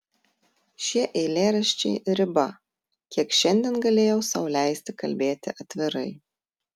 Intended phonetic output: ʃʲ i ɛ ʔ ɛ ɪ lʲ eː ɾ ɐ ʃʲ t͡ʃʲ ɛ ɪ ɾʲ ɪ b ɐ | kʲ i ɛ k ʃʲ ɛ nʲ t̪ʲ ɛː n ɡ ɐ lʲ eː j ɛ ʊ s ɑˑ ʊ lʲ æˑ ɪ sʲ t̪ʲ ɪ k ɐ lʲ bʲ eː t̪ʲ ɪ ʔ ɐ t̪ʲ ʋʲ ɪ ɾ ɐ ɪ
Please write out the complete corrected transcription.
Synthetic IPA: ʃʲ i ɛ ʔ ɛ ɪ lʲ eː ɾ ɐ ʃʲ t͡ʃʲ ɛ ɪ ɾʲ ɪ b ɐ | kʲ i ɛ k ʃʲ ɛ nʲ d̪ʲ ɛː n ɡ ɐ lʲ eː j ɛ ʊ s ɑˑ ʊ lʲ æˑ ɪ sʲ t̪ʲ ɪ k ɐ lʲ bʲ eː t̪ʲ ɪ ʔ ɐ t̪ʲ ʋʲ ɪ ɾ ɐ ɪ